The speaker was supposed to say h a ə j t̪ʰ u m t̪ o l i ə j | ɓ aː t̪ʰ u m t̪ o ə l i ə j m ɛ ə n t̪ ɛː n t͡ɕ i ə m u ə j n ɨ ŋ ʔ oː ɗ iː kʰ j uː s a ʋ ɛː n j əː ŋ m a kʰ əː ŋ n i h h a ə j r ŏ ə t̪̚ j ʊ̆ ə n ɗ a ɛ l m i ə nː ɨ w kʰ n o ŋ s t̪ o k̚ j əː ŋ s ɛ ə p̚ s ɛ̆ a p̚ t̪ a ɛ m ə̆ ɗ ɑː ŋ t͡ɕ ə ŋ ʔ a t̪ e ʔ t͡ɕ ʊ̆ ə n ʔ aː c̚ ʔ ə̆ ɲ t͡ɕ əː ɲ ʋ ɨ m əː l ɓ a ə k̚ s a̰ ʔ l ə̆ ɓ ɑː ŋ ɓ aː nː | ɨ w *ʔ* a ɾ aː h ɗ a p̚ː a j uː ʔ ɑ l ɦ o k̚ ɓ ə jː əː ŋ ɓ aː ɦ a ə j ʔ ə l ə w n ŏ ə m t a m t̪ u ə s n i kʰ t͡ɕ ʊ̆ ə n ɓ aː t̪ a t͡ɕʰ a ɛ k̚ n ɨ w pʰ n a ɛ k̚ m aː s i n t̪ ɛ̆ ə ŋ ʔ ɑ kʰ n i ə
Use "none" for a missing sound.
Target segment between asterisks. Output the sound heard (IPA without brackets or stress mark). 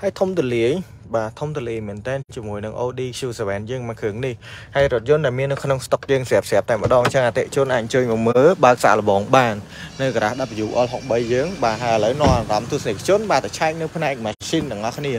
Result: k